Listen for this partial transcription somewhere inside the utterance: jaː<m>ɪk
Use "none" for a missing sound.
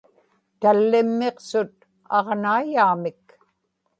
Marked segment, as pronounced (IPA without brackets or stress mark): m